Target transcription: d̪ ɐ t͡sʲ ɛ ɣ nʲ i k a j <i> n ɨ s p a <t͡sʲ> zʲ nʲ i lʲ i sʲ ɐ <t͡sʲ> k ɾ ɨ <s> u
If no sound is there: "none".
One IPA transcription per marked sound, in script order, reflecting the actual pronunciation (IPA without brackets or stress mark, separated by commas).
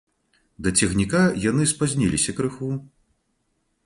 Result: a, none, none, x